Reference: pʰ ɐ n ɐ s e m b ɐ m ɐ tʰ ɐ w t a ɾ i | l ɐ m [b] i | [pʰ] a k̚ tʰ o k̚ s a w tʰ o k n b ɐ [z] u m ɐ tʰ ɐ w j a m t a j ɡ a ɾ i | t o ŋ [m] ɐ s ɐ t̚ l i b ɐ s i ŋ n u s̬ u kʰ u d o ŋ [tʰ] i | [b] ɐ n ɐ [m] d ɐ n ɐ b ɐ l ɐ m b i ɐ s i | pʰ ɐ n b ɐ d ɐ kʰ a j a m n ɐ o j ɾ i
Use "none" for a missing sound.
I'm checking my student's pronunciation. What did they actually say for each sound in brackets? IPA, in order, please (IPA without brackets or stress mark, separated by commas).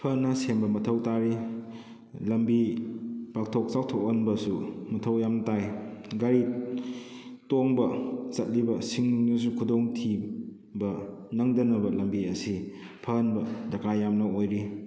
b, p, s, b, tʰ, b, ŋ